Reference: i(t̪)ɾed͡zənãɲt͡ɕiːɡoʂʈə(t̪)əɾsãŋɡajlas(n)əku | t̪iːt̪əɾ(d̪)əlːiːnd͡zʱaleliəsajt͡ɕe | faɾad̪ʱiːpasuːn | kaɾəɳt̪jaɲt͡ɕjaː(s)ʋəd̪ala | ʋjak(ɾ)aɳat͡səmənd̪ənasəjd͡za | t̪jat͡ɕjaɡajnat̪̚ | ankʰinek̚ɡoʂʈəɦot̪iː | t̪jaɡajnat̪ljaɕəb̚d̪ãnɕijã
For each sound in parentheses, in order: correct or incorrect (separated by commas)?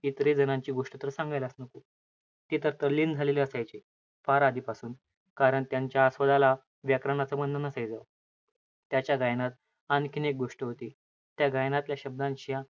correct, correct, correct, incorrect, correct, correct